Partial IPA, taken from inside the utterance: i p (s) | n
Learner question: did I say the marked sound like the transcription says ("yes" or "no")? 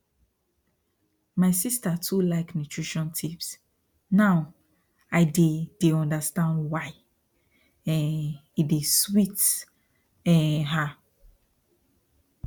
yes